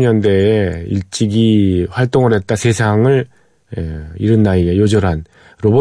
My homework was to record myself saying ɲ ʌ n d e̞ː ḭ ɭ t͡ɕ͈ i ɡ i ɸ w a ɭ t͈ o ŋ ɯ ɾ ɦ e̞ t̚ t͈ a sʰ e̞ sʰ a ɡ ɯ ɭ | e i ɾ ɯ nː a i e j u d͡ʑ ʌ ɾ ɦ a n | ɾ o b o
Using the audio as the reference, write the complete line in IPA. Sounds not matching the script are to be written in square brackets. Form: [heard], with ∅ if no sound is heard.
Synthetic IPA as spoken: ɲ ʌ n d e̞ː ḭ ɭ t͡ɕ͈ i ɡ i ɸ w a ɭ t͈ o ŋ ɯ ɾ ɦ e̞ t̚ t͈ a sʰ e̞ sʰ a [ŋ] ɯ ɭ | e i ɾ ɯ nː a i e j [o] d͡ʑ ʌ ɾ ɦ a n | ɾ o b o